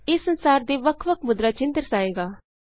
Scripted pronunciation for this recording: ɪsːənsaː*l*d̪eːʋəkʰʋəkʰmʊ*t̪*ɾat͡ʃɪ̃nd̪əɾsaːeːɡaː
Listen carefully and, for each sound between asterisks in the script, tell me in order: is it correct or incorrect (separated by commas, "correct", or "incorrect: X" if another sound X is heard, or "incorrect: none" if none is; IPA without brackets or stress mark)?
incorrect: ɾ, incorrect: d̪